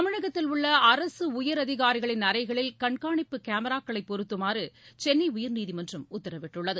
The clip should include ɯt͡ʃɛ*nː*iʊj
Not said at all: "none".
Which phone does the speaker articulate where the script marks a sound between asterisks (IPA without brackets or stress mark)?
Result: nː